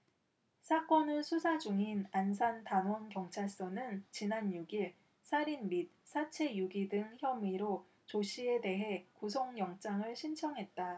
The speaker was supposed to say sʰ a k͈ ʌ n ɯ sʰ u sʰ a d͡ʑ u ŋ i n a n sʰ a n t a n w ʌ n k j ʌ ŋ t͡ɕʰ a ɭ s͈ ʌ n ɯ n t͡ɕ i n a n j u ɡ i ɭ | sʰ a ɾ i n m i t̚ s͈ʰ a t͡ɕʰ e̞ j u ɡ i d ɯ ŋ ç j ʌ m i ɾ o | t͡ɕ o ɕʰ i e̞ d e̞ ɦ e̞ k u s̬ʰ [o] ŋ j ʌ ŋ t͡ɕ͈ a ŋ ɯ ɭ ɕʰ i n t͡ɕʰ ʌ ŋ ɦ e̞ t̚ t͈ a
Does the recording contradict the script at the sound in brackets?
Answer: no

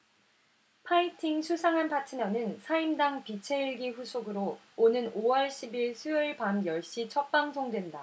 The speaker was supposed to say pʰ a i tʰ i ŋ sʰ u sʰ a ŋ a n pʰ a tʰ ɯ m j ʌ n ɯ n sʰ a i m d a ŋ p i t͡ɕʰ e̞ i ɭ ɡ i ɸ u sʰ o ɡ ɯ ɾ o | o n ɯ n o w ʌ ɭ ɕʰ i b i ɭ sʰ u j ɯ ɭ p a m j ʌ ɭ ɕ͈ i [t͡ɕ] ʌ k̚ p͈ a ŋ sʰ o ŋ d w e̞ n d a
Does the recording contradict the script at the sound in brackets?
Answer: yes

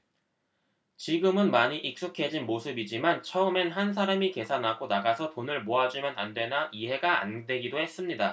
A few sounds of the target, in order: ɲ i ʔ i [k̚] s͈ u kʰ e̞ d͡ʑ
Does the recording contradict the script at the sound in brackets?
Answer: no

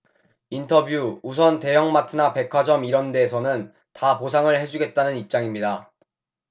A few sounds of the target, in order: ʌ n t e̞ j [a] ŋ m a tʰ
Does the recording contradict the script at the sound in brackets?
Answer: yes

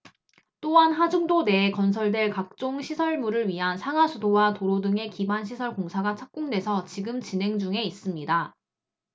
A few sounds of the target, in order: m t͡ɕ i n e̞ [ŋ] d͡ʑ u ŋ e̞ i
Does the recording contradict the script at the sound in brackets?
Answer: no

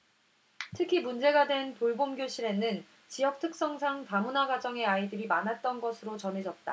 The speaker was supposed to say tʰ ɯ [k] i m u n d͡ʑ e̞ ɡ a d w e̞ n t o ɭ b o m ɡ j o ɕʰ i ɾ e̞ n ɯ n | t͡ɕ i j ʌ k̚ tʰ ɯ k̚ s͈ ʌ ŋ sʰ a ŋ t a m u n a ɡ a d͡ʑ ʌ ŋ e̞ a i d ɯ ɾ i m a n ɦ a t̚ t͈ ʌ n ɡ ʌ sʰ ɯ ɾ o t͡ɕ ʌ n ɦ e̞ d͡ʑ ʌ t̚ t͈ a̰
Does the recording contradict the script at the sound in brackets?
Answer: yes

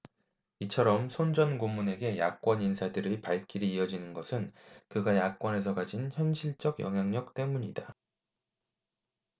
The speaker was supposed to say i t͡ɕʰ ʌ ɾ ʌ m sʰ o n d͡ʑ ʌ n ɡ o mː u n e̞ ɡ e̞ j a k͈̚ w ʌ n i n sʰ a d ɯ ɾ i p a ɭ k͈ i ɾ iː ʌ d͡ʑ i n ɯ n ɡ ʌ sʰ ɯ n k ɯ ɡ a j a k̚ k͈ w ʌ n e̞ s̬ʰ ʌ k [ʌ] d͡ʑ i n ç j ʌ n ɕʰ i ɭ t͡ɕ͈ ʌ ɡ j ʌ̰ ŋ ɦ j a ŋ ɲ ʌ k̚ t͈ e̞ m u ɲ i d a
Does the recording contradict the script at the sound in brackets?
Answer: yes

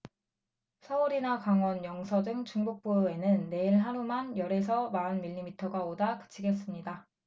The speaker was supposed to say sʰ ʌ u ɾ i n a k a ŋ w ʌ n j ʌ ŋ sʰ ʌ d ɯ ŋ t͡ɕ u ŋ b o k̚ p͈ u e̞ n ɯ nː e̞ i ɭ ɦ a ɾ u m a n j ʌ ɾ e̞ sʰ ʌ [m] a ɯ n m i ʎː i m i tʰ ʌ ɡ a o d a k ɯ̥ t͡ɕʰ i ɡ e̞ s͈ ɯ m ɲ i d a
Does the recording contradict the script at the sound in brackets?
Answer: no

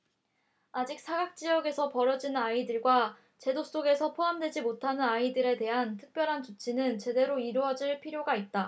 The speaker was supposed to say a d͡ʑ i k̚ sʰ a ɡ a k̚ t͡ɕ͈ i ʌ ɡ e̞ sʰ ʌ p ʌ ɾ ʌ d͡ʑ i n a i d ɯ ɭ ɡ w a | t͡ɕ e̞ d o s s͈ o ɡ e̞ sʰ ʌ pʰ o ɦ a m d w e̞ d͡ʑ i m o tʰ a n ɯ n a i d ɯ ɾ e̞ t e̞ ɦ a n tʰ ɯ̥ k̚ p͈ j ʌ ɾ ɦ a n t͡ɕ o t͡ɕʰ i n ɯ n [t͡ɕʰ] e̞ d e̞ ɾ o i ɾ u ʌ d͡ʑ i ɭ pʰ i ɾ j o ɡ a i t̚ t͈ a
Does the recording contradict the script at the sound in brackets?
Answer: yes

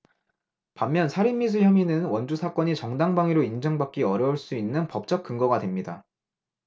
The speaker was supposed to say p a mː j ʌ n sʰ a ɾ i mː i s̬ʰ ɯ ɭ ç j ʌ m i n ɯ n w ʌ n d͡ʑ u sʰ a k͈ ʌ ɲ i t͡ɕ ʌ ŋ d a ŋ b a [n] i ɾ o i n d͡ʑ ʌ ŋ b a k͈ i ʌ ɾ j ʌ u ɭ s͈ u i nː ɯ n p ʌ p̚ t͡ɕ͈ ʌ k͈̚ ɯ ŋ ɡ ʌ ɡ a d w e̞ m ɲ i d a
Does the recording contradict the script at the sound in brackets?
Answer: yes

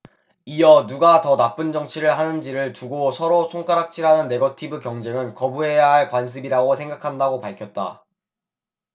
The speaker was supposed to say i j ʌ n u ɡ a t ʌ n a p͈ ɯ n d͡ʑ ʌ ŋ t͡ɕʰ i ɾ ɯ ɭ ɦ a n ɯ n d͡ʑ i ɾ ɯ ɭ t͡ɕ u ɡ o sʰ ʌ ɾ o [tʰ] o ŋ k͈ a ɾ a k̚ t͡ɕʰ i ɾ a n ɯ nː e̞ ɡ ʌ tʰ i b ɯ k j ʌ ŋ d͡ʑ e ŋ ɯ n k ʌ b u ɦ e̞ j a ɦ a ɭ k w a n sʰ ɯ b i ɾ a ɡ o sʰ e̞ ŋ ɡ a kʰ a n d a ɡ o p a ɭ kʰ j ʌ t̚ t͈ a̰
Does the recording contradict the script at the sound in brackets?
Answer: yes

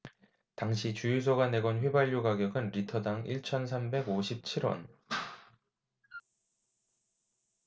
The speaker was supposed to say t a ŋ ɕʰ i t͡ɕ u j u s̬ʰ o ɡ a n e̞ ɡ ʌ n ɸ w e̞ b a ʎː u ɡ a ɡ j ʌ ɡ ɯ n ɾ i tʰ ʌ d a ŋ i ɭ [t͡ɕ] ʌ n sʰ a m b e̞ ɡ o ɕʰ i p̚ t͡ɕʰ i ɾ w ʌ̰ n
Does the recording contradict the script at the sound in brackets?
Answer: yes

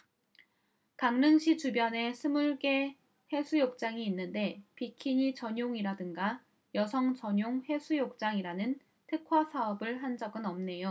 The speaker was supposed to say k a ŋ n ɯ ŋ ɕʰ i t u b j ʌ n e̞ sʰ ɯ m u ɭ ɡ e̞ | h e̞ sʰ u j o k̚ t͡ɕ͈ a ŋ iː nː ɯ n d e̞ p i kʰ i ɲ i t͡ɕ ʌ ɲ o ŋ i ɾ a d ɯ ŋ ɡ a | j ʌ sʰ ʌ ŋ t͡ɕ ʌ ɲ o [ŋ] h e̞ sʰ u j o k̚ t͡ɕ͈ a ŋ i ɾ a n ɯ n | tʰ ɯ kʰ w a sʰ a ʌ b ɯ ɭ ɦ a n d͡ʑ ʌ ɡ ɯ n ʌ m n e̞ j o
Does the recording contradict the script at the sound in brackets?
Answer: no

